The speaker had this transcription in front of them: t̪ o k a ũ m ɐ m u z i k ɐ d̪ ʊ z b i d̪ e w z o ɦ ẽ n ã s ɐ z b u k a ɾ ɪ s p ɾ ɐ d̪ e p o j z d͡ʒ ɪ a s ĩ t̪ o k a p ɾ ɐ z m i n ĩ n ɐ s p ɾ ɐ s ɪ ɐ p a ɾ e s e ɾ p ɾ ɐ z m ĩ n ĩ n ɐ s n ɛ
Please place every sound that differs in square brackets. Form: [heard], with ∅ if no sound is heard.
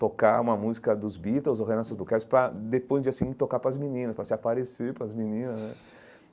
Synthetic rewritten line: t̪ o k a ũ m ɐ m u z i k ɐ d̪ ʊ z b i [t̪] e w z o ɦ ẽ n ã s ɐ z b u k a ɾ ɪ s p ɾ ɐ d̪ e p o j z d͡ʒ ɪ a s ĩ t̪ o k a p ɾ ɐ z m i n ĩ n ɐ s p ɾ ɐ s ɪ [a] p a ɾ e s e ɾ p ɾ ɐ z m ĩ n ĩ n ɐ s n ɛ

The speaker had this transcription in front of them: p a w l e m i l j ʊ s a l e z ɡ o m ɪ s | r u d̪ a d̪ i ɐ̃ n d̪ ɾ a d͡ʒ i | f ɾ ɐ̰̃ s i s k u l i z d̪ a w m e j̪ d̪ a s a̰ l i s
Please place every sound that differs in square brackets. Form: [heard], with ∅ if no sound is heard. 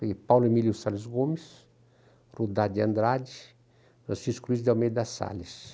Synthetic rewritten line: p a w l e m i l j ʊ s a l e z ɡ o m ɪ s | r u d̪ a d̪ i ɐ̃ n d̪ ɾ a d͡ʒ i | f ɾ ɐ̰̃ s i s k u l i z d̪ a w m e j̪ d̪ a s a̰ l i s

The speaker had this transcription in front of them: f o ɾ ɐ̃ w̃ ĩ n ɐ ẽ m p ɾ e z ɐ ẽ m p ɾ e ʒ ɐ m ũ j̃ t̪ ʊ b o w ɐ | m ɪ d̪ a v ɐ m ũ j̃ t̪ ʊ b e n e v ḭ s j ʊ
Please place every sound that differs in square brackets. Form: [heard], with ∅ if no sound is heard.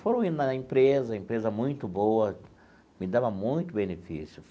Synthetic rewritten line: f o ɾ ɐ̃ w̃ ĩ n ɐ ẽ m p ɾ e z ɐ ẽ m p ɾ e [z] ɐ m ũ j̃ t̪ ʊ b o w ɐ | m ɪ d̪ a v ɐ m ũ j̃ t̪ ʊ b e n e [f] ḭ s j ʊ

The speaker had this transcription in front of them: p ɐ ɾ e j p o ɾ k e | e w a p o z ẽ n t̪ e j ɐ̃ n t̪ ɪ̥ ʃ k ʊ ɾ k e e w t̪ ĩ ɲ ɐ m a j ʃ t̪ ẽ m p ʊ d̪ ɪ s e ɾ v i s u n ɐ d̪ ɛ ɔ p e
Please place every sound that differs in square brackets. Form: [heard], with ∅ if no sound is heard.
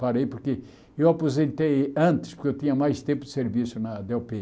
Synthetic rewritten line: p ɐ ɾ e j p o ɾ k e | e w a p o z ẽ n t̪ e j ɐ̃ n t̪ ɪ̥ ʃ [p] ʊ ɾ k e e w t̪ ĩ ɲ ɐ m a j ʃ t̪ ẽ m p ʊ d̪ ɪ s e ɾ v i s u n ɐ d̪ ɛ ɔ p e

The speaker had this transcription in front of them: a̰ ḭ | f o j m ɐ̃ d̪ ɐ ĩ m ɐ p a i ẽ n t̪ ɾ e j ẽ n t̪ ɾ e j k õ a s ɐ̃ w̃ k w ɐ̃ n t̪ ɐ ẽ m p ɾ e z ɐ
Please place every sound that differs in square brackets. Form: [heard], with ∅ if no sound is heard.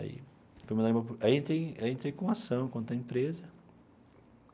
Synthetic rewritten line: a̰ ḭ | f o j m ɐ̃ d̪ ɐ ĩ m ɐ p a i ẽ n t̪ ɾ e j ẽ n t̪ ɾ e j k õ a s ɐ̃ w̃ k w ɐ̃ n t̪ ɐ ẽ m p ɾ e z ɐ

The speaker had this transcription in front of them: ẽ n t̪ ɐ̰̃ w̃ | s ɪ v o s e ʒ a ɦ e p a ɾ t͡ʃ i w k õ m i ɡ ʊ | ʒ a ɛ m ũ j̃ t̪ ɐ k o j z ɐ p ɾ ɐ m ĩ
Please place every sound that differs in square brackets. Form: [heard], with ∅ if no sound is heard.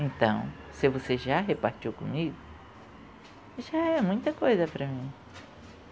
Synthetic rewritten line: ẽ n t̪ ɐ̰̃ w̃ | s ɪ v o s e ʒ a ɦ e p a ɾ t͡ʃ i w k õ m i ɡ ʊ | ʒ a ɛ m ũ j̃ t̪ ɐ k o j z ɐ p ɾ ɐ m ĩ

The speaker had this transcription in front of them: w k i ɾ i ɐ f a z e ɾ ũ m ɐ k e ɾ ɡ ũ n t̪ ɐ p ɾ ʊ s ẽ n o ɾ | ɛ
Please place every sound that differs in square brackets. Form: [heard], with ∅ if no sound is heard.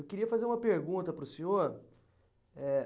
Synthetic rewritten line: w k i ɾ i ɐ f a z e ɾ ũ m ɐ [p] e ɾ ɡ ũ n t̪ ɐ p ɾ ʊ s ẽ [ɲ] o ɾ | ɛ

